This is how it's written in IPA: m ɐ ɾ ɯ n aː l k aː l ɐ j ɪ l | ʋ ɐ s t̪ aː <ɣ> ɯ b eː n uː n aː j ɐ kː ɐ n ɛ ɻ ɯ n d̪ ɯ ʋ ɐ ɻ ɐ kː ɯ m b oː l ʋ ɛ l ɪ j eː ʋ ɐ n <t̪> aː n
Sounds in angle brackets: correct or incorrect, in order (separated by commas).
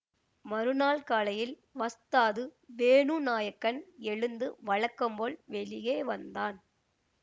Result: incorrect, incorrect